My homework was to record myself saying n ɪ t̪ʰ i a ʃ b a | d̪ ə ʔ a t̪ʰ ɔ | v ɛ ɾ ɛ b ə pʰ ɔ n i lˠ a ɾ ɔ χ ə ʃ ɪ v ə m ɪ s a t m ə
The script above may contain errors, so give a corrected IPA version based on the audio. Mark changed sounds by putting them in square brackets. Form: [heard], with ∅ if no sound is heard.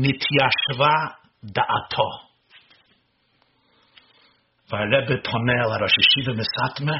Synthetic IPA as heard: n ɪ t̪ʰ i a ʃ [v] a | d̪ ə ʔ a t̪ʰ ɔ | v [a] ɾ ɛ b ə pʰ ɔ n [ɛ] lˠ a ɾ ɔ [ʃ] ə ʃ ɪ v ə m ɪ s a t m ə